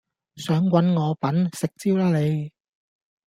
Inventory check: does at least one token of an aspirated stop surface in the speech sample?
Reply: no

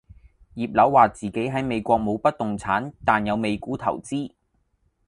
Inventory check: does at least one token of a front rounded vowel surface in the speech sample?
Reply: no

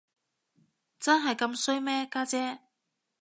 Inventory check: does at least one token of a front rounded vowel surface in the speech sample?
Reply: no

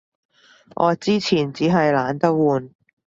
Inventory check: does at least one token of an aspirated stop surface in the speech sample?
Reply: yes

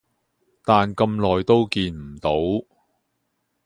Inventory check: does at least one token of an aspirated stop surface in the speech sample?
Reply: no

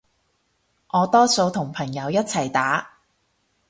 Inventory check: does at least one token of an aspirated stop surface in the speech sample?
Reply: yes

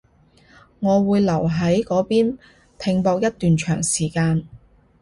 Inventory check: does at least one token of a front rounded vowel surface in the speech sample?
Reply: yes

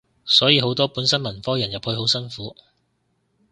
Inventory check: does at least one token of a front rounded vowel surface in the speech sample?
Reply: no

